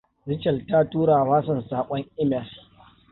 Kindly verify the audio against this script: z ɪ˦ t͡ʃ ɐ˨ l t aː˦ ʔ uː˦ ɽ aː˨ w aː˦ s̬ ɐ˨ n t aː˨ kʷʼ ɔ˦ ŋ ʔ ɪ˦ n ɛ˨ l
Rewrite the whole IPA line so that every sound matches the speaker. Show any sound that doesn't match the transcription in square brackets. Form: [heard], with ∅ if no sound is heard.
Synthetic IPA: z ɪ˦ t͡ʃ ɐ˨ l t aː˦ [t] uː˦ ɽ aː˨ w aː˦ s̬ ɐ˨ n [s] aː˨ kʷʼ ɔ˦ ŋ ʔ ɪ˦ [m] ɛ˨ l